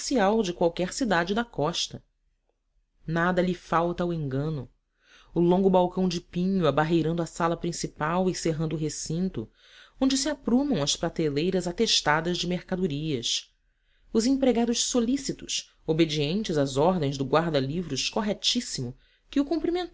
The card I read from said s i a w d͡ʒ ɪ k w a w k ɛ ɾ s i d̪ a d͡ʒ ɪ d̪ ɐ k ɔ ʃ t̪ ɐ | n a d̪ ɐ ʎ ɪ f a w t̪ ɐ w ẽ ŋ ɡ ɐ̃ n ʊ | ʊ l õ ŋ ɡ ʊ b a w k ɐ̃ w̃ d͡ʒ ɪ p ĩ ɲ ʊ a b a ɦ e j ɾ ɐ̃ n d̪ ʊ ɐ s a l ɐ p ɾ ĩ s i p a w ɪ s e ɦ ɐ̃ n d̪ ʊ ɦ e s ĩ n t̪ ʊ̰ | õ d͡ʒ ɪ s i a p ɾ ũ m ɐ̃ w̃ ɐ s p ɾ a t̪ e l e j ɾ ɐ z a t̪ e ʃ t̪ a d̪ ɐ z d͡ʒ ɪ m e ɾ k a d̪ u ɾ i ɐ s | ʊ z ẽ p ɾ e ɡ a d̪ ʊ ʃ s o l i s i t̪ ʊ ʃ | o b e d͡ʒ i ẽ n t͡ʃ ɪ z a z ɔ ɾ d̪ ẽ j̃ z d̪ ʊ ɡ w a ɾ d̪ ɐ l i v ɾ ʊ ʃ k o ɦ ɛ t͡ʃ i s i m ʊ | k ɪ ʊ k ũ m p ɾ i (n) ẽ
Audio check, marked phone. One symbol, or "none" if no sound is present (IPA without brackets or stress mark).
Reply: m